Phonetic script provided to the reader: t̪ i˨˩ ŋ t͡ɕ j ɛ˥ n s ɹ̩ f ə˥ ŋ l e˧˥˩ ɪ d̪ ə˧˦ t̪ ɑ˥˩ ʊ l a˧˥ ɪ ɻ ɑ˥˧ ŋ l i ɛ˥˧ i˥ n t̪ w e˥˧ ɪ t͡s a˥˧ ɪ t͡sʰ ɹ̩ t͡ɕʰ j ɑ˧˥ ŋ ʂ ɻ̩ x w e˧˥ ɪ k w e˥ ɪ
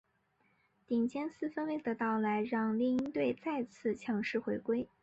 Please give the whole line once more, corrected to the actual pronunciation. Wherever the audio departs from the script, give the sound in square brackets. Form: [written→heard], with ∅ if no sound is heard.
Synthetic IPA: t̪ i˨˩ ŋ t͡ɕ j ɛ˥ n s ɹ̩ f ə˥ [ŋ→n] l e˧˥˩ ɪ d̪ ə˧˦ t̪ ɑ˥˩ ʊ l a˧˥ ɪ ɻ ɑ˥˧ ŋ l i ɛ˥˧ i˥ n t̪ w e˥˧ ɪ t͡s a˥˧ ɪ t͡sʰ ɹ̩ t͡ɕʰ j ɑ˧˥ ŋ ʂ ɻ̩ x w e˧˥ ɪ k w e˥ ɪ

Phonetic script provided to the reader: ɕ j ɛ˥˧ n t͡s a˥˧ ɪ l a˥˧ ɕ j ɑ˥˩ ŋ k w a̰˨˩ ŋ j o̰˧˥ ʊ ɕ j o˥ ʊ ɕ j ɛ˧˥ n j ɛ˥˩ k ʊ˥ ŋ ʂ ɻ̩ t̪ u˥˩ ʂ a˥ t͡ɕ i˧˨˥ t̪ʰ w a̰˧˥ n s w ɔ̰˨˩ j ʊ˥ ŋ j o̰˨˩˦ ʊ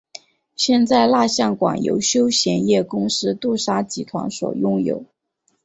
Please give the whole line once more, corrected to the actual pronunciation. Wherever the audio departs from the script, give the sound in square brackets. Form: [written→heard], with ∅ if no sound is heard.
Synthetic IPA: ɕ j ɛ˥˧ n t͡s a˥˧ ɪ l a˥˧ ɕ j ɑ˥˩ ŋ k w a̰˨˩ ŋ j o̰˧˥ ʊ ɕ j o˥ ʊ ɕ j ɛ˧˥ n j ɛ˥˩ k ʊ˥ ŋ ʂ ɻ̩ t̪ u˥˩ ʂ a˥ t͡ɕ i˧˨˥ t̪ʰ w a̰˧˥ n s w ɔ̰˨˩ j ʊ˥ ŋ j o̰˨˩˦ ʊ

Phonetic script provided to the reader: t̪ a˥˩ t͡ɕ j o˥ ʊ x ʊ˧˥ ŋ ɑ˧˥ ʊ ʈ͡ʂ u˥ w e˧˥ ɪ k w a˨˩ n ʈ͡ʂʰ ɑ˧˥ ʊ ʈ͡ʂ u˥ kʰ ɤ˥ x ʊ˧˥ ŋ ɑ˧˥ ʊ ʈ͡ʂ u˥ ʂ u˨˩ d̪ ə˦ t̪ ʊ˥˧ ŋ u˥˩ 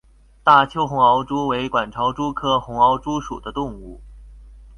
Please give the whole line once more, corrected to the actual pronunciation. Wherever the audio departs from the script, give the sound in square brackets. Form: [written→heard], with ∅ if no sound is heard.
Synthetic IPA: t̪ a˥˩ [t͡ɕ→t͡ɕʰ] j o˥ ʊ x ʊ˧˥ ŋ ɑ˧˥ ʊ ʈ͡ʂ u˥ w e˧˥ ɪ k w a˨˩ n ʈ͡ʂʰ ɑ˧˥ ʊ ʈ͡ʂ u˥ kʰ ɤ˥ x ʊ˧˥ ŋ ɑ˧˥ ʊ ʈ͡ʂ u˥ ʂ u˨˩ d̪ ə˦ t̪ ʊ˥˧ ŋ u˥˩

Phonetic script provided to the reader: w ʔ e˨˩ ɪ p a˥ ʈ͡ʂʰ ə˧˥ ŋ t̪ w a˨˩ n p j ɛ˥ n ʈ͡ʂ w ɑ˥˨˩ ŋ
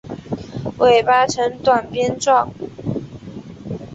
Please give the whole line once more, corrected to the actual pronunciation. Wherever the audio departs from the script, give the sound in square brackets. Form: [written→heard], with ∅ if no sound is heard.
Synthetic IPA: w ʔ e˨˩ ɪ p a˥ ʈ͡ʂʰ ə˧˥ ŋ t̪ w a˨˩ n p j ɛ˥ n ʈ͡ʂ w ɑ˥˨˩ ŋ

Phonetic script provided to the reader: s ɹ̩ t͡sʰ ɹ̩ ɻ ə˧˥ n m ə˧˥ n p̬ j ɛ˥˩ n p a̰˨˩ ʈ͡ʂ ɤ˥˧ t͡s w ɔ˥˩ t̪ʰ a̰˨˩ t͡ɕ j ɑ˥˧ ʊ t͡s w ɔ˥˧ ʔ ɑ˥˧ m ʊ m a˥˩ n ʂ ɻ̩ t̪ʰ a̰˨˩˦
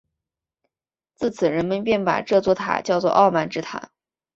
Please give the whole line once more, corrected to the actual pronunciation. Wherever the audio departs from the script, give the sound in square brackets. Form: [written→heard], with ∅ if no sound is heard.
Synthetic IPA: [s→t͡s] ɹ̩ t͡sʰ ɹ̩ ɻ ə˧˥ n m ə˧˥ n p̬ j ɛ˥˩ n p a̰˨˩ ʈ͡ʂ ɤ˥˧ t͡s w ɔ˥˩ t̪ʰ a̰˨˩ t͡ɕ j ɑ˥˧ ʊ t͡s w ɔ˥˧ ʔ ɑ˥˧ [m→∅] ʊ m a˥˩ n [ʂ→ʈ͡ʂ] ɻ̩ t̪ʰ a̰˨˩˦

